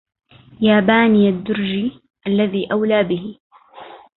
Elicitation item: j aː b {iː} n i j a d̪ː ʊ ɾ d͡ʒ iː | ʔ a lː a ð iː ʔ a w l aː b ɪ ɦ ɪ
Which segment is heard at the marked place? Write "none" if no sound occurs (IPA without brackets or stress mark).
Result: aː